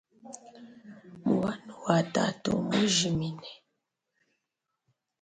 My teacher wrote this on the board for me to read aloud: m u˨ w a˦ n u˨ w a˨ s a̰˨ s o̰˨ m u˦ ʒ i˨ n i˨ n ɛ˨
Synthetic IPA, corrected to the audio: m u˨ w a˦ n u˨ w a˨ t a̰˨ t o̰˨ m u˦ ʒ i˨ m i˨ n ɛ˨

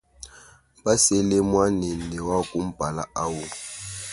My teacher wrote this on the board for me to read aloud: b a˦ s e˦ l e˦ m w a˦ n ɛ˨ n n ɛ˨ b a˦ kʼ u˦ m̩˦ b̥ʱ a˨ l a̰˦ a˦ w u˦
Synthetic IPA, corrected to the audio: b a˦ s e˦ l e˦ m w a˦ n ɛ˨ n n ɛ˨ w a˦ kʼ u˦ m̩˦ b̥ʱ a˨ l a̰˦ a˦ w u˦

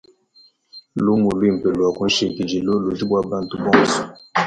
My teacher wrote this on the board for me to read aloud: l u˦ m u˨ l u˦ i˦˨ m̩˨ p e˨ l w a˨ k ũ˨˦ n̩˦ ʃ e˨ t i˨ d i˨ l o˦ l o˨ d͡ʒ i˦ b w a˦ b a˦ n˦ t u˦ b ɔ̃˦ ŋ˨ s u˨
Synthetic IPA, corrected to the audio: l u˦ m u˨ l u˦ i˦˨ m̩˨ p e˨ l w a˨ k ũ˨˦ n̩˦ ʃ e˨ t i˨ d͡ʒ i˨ l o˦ l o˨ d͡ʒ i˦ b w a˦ b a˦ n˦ t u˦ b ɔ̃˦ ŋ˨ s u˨

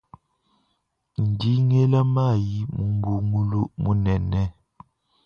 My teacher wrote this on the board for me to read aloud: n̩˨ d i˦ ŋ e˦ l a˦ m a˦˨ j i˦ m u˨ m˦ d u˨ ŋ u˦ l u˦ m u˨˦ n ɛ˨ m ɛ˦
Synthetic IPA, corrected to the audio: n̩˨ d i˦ ŋ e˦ l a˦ m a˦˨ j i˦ m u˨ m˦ b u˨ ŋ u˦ l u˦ m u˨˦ n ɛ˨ n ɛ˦

